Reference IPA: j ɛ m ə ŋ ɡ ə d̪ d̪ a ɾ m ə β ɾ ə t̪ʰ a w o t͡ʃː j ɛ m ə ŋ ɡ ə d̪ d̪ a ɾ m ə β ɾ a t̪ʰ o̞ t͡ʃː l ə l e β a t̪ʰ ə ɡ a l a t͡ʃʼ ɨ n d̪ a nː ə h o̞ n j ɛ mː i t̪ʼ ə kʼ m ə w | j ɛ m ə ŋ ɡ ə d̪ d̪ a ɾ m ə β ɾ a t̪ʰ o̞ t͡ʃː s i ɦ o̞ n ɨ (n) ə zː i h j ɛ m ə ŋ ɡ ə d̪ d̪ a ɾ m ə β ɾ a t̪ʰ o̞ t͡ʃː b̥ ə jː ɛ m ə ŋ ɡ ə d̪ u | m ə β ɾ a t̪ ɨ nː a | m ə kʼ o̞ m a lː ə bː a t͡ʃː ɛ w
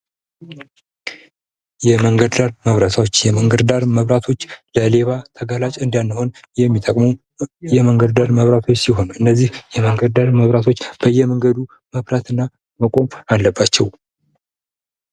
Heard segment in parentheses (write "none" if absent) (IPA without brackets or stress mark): nː